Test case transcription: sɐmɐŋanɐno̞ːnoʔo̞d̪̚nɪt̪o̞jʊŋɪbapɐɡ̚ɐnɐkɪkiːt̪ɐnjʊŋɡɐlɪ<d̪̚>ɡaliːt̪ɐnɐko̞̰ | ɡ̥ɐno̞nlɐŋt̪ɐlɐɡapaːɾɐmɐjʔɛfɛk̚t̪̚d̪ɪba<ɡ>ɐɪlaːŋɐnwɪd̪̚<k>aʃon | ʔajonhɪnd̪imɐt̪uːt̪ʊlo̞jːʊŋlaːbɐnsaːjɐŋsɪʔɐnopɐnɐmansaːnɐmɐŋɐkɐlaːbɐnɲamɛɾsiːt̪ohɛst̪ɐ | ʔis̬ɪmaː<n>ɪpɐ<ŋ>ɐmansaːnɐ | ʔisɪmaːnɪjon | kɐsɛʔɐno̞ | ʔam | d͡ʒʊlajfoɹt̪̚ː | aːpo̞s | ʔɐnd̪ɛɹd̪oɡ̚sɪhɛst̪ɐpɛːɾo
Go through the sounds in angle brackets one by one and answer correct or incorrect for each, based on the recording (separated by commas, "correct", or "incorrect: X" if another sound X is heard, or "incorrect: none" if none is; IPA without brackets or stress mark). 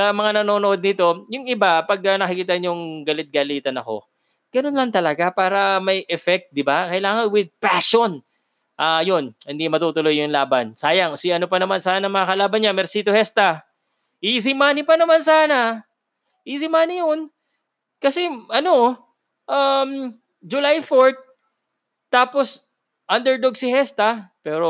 incorrect: t̪̚, incorrect: k, incorrect: p, correct, incorrect: n